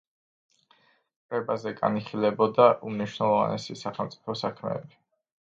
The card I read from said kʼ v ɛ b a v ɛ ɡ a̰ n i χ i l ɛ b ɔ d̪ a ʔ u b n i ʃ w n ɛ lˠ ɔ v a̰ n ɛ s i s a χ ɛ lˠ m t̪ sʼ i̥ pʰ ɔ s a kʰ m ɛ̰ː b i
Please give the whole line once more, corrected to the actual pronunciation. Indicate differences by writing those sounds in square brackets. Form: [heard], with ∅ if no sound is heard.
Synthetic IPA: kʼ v ɛ b a [z] ɛ ɡ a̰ n i χ i l ɛ b ɔ d̪ a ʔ u [m] n i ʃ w n ɛ lˠ ɔ v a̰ n ɛ s i s a χ ɛ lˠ m t̪ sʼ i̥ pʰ ɔ s a kʰ m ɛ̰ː b i